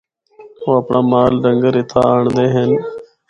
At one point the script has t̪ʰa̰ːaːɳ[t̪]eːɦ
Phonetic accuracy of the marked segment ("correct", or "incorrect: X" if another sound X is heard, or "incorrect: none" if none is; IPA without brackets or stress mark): incorrect: d̪